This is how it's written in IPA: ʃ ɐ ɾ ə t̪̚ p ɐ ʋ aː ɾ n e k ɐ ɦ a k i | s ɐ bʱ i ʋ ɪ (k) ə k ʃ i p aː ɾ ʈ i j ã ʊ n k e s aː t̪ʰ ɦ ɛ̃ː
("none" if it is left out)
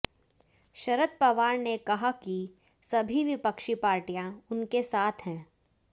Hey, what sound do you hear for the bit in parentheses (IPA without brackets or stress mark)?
p